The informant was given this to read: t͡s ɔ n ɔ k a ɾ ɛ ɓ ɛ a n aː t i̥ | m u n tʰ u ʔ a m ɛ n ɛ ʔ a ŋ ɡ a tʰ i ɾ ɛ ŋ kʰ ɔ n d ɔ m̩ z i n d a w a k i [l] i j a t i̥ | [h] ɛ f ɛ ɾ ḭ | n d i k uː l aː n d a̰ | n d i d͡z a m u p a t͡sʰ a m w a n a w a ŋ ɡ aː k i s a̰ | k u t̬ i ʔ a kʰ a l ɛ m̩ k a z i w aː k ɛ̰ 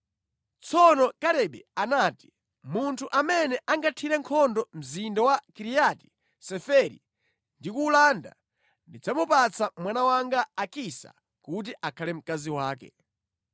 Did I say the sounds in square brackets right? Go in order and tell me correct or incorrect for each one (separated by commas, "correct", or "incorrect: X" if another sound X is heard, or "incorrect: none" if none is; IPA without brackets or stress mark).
incorrect: ɾ, incorrect: s